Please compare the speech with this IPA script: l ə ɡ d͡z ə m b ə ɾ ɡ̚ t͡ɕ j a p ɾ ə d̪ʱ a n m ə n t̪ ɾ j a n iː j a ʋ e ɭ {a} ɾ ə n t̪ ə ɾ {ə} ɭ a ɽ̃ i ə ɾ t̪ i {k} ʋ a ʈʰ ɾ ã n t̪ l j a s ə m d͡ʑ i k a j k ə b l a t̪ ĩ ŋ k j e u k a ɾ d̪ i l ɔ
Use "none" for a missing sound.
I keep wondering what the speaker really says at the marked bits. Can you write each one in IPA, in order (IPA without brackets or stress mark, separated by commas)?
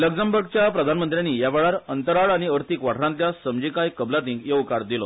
a, a, k